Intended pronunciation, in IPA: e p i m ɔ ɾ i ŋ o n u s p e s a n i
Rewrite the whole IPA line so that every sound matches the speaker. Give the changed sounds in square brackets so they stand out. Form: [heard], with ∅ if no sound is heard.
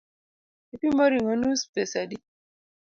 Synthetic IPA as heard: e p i m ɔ ɾ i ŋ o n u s p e s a [d] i